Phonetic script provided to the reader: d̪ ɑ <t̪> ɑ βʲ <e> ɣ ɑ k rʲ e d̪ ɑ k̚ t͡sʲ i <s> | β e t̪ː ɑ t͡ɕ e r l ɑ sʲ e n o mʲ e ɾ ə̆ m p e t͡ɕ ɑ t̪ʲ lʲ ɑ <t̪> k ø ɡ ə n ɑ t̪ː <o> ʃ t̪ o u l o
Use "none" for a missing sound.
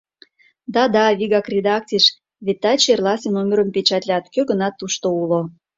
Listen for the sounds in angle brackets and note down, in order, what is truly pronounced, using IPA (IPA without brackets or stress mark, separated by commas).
d̪, i, ʃ, t̪, u